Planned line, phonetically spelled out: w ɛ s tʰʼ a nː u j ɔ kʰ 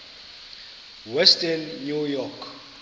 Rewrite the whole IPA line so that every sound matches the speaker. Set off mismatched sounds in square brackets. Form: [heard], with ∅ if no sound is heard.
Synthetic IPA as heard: w ɛ s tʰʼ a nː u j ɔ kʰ

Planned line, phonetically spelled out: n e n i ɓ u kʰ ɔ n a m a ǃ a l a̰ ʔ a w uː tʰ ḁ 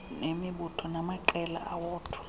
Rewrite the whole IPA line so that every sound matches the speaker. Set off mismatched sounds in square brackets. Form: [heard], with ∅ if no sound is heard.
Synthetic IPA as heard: n e [m] i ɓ u [tʰ] ɔ n a m a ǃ [ɛ] l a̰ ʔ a w [ɔː] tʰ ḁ

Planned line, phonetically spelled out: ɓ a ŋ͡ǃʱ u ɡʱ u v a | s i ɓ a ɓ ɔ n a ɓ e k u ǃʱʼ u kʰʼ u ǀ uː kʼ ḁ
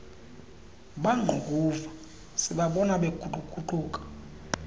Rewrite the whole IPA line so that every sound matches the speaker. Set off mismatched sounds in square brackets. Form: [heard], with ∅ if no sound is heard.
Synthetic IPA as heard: ɓ a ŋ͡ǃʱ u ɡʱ u v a | s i ɓ a ɓ ɔ n a ɓ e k u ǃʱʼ u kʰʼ u [ǃ] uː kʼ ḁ

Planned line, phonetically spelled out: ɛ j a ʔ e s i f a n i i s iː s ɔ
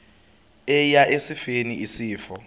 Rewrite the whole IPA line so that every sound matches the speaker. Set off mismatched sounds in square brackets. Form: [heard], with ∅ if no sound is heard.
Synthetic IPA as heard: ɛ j a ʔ e s i f [e] n i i s iː [f] ɔ

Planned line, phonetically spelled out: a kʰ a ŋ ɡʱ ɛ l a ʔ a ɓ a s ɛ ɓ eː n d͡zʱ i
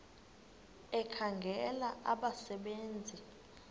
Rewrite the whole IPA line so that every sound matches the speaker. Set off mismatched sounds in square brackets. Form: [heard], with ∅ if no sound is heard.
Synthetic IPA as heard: [ɛ] kʰ a ŋ ɡʱ ɛ l a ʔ a ɓ a s ɛ ɓ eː n d͡zʱ i

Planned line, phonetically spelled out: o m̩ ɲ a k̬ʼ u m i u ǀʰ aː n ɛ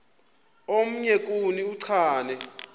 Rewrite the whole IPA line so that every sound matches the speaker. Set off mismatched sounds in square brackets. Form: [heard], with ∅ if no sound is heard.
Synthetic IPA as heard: o m̩ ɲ [ɛ] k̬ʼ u [n] i u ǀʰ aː n ɛ

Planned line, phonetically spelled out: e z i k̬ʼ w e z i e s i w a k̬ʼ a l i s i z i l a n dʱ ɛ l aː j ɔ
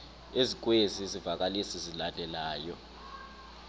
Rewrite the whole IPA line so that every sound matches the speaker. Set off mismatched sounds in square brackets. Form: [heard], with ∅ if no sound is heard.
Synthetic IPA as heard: e z i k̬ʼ w e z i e [z] i [v] a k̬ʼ a l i s i z i l a n dʱ ɛ l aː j ɔ

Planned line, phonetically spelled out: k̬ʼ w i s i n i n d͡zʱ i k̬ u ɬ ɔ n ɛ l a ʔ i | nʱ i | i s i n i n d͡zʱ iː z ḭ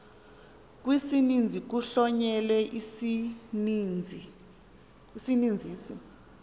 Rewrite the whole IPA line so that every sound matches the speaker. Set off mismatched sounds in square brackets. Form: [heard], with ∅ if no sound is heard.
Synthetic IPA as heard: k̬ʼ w i s i n i n d͡zʱ i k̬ u ɬ ɔ [ɲ] ɛ l [ɛ] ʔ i | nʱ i | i s i n i n d͡zʱ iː [s] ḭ

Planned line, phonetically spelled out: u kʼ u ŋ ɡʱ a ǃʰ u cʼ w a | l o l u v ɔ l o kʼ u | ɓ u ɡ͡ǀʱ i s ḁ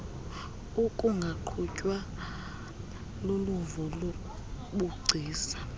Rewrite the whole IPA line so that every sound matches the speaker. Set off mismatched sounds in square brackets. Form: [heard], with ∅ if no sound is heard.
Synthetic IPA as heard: u kʼ u ŋ ɡʱ a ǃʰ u cʼ w a | l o l u v ɔ l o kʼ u | ɓ u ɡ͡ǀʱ [iː] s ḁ

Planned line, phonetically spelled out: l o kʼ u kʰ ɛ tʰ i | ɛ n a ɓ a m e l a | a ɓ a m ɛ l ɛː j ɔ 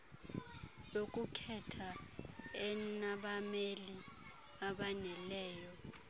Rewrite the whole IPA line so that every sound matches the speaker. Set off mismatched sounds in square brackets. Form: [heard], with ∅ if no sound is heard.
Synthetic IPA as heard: l o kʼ u kʰ ɛ tʰ [a] | ɛ n a ɓ a m e l [i] | a ɓ a [n] ɛ l ɛː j ɔ

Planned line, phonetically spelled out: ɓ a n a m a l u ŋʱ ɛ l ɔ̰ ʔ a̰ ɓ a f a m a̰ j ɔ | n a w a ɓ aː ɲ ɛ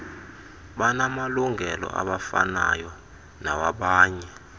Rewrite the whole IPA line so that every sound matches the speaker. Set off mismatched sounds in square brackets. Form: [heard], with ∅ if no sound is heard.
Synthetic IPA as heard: ɓ a n a m a l u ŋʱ ɛ l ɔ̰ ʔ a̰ ɓ a f a [n] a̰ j ɔ | n a w a ɓ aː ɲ ɛ

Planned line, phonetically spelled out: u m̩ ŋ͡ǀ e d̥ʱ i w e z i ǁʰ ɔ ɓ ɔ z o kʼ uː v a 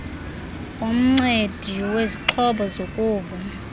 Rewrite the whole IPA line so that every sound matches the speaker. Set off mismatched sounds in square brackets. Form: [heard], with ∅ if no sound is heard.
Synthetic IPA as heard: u m̩ ŋ͡ǀ e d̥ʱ i w e z i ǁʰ ɔ ɓ ɔ z o kʼ uː v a

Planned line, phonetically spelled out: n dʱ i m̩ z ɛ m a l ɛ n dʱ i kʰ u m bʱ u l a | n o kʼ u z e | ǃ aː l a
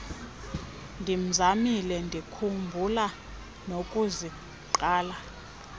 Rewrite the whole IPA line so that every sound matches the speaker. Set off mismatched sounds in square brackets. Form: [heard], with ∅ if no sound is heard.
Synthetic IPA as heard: n dʱ i m̩ z [a] m [i] l ɛ n dʱ i kʰ u m bʱ u l a | n o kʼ u z [i] | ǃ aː l a

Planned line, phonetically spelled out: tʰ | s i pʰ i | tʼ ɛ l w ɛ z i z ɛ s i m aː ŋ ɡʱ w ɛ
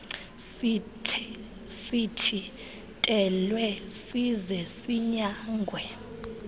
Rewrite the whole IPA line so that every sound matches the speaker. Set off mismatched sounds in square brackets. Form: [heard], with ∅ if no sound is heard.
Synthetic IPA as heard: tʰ | s i [tʰ] i | tʼ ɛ l w ɛ [s] i z ɛ s i [ɲ] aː ŋ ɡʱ w ɛ

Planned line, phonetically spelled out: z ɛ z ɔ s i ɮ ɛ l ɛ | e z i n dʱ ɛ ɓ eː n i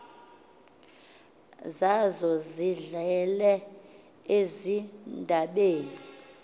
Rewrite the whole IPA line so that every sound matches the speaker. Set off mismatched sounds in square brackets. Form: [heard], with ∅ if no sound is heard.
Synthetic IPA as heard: z [a] z ɔ [z] i ɮ ɛ l ɛ | e z i n dʱ [a] ɓ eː n i

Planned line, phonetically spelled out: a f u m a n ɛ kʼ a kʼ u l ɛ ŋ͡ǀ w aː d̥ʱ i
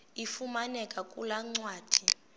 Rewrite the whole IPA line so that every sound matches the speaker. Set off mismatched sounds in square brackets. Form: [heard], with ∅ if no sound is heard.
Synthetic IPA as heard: [i] f u m a n ɛ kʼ a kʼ u l [a] ŋ͡ǀ w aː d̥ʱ i

